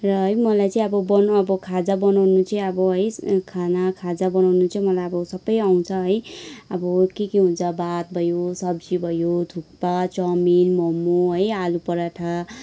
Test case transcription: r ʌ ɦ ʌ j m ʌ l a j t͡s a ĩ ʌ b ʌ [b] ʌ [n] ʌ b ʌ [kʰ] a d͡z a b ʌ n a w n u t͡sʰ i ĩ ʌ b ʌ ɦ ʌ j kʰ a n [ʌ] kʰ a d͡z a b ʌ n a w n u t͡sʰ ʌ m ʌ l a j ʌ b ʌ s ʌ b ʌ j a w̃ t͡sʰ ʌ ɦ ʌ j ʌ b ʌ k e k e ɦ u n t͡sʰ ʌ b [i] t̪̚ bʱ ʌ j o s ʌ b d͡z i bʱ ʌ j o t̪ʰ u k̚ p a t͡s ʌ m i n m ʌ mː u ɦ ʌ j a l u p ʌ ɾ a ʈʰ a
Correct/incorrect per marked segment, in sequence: correct, correct, correct, incorrect: a, incorrect: a

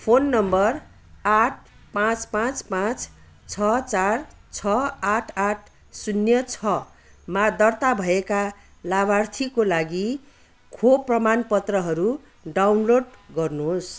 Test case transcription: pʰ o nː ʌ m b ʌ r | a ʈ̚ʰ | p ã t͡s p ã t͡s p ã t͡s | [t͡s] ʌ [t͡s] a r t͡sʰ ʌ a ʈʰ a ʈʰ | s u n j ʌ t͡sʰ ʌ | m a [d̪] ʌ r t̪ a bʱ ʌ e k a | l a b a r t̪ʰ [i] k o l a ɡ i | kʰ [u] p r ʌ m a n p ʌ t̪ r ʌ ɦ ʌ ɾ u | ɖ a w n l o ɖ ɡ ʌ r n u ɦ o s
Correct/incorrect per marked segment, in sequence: incorrect: t͡sʰ, correct, correct, correct, incorrect: o

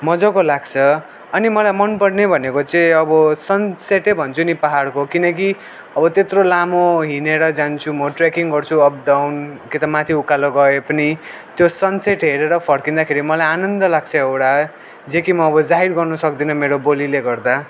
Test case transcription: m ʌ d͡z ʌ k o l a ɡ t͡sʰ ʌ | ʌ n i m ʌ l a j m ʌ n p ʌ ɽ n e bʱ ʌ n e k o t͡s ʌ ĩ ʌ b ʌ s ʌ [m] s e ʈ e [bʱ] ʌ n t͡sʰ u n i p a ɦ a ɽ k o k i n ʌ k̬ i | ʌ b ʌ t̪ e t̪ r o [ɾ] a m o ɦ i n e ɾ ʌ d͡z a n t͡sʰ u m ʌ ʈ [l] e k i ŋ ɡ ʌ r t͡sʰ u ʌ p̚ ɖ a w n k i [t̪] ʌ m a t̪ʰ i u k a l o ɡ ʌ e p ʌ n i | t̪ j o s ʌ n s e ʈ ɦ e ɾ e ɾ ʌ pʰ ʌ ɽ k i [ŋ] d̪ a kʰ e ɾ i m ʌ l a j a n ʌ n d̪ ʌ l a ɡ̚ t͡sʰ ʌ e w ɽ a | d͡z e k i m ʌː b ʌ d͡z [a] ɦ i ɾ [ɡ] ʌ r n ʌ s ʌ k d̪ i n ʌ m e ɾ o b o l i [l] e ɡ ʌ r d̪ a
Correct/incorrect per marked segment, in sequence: incorrect: n, correct, incorrect: l, incorrect: r, correct, incorrect: n, correct, correct, correct

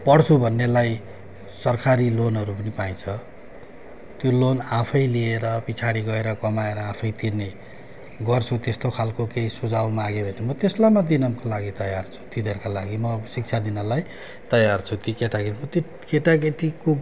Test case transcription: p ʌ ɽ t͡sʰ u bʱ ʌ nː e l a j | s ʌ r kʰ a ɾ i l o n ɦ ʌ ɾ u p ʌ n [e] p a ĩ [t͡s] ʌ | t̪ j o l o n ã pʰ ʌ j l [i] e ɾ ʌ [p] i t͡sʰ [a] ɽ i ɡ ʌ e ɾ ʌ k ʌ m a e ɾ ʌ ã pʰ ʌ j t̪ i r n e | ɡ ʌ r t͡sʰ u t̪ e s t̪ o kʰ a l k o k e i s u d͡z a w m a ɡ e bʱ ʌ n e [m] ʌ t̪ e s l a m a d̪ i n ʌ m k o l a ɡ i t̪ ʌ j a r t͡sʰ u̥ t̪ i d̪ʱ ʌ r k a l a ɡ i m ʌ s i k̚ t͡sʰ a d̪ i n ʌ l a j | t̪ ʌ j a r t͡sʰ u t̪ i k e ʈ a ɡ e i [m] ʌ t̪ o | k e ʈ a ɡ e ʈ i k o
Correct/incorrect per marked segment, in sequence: incorrect: i, incorrect: t͡sʰ, correct, correct, correct, correct, correct

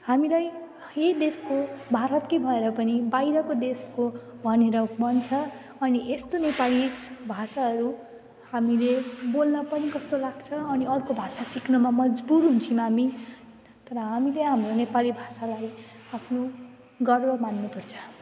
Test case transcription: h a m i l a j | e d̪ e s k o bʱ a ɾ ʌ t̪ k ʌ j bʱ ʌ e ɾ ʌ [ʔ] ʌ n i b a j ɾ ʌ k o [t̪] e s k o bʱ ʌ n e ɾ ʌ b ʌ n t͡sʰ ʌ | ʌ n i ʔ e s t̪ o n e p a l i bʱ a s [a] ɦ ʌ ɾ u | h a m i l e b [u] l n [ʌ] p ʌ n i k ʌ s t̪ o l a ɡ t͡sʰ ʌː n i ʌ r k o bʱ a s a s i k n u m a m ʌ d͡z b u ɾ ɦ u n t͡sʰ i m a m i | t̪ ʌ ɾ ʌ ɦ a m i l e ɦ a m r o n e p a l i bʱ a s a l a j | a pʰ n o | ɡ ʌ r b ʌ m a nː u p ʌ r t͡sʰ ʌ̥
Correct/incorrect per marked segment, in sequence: incorrect: p, incorrect: d̪, correct, incorrect: o, correct

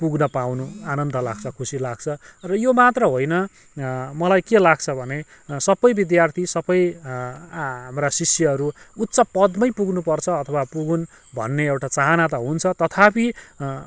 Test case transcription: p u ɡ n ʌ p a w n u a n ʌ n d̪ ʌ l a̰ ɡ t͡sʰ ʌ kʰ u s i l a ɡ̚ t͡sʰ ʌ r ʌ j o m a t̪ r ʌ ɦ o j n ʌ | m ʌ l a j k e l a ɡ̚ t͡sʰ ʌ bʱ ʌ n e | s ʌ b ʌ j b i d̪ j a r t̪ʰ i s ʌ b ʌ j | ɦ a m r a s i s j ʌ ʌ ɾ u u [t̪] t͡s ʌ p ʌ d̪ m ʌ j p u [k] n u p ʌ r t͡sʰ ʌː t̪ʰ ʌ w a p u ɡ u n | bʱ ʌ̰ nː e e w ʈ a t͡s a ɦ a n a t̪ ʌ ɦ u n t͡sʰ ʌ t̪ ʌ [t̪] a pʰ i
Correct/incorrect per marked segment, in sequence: correct, incorrect: ɡ, incorrect: t̪ʰ

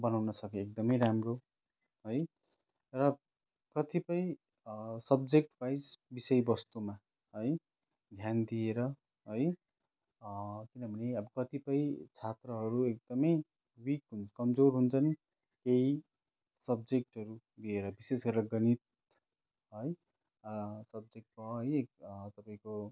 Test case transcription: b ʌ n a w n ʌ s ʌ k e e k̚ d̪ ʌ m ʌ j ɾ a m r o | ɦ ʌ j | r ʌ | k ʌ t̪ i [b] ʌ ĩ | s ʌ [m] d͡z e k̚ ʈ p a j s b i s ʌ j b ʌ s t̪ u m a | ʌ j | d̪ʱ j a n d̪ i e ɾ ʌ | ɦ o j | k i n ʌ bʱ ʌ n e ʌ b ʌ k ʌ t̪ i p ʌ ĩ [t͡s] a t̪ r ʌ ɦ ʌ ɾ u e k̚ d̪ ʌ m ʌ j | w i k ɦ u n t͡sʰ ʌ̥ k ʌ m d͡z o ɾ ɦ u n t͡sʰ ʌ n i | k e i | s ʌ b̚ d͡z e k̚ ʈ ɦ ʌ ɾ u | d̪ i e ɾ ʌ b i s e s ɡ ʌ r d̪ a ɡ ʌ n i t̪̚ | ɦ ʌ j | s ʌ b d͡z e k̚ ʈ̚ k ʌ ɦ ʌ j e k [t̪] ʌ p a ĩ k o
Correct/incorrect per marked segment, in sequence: incorrect: p, incorrect: b, incorrect: t͡sʰ, correct

